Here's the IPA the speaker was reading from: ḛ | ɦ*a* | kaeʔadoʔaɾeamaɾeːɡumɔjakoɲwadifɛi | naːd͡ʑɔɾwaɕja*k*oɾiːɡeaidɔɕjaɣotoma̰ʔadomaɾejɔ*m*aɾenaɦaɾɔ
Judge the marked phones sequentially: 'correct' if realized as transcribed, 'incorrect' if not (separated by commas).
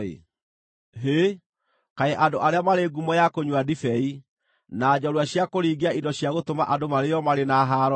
incorrect, correct, correct